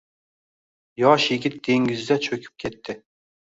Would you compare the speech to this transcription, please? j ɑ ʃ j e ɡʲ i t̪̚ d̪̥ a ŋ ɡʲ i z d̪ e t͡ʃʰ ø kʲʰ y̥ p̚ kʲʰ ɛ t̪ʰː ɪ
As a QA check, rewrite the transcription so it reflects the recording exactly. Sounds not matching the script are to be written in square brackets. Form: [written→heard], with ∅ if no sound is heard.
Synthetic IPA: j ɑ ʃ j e ɡʲ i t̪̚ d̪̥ [a→e] ŋ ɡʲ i z d̪ [e→ɛ] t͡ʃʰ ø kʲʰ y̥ p̚ kʲʰ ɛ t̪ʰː ɪ